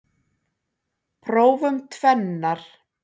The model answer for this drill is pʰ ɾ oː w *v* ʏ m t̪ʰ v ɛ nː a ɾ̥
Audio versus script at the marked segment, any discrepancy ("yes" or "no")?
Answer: no